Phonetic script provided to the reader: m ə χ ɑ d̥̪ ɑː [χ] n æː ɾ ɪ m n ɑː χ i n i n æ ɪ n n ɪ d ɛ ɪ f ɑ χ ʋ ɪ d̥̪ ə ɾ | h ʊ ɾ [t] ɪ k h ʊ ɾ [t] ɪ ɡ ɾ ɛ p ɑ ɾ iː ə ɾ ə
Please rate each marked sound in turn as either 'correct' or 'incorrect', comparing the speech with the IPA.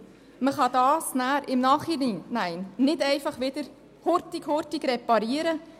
incorrect, correct, correct

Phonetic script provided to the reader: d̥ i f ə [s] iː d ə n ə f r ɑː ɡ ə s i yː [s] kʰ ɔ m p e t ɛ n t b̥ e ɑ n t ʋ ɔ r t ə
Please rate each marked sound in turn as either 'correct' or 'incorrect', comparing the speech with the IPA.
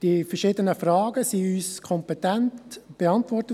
incorrect, correct

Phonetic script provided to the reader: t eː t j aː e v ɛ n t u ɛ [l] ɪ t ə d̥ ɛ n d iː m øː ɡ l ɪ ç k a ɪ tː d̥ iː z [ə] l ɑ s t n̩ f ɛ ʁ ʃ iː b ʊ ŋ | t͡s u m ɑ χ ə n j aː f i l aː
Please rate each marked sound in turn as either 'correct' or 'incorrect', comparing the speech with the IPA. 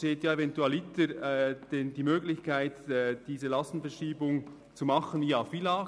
correct, correct

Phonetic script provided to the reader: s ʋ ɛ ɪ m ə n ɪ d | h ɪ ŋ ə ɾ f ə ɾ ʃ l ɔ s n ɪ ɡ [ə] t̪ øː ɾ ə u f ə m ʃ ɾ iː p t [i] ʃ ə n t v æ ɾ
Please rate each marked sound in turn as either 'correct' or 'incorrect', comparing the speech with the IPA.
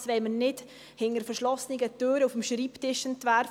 correct, incorrect

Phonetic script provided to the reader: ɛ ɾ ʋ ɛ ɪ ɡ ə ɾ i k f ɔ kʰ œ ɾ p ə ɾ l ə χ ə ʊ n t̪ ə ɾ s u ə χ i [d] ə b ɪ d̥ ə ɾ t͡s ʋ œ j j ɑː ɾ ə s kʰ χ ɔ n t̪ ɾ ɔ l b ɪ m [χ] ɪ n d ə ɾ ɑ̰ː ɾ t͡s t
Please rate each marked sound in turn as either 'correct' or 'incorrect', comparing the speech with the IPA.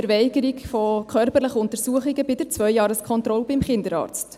incorrect, correct

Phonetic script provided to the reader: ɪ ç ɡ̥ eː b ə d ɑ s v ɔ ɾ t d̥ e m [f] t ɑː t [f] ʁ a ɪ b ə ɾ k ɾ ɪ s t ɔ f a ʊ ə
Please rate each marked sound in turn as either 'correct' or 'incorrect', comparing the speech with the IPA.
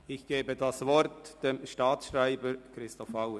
incorrect, incorrect

